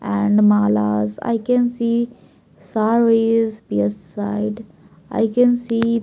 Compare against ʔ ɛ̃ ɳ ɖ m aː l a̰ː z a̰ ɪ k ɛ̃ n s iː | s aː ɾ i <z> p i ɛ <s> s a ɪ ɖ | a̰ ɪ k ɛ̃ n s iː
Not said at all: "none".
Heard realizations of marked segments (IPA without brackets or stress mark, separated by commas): z, s